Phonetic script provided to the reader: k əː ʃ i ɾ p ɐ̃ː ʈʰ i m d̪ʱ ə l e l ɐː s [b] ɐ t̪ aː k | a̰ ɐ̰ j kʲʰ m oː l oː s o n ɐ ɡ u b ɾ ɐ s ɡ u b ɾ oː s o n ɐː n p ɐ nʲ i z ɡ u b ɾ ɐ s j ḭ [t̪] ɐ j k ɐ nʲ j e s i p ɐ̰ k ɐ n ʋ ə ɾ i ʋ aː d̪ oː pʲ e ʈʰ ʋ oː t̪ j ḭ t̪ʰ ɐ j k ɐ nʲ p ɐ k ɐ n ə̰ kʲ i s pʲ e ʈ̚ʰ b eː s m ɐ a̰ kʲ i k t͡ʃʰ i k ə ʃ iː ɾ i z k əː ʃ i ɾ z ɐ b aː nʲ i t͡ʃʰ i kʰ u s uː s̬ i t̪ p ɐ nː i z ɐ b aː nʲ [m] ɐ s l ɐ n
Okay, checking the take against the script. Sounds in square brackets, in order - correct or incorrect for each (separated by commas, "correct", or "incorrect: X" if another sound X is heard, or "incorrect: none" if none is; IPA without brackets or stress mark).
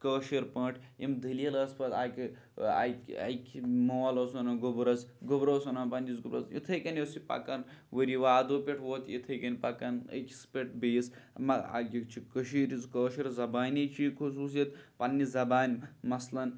incorrect: p, incorrect: t̪ʰ, correct